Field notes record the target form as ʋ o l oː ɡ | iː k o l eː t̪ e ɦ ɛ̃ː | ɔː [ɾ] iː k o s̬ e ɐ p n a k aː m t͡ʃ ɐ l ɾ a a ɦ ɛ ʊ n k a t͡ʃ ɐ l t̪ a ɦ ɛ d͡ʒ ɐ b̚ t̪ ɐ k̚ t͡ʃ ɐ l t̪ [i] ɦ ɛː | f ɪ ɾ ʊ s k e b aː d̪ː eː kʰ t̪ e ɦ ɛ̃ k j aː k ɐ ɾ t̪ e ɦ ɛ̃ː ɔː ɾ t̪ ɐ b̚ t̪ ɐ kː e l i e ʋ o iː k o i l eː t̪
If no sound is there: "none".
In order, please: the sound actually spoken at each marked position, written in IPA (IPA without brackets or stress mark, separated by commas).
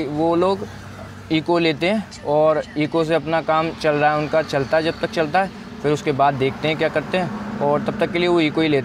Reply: ɾ, a